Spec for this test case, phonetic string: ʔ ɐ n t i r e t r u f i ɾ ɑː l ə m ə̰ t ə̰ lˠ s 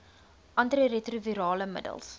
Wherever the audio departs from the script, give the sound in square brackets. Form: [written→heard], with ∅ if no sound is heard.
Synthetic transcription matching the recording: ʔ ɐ n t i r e t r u [f→v] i ɾ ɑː l ə m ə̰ [t→d] ə̰ lˠ s